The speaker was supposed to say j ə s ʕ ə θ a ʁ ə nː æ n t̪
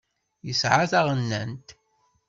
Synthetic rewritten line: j ə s ʕ a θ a ʁ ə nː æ n t̪